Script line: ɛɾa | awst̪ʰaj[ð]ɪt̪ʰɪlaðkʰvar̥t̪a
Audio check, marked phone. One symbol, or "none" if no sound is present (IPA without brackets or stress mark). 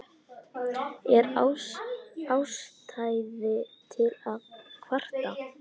ð